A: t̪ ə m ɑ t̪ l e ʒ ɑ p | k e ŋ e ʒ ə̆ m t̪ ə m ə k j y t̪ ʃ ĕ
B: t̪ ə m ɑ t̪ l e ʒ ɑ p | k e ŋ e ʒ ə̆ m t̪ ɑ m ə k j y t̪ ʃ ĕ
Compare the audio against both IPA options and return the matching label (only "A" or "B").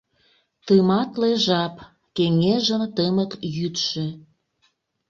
A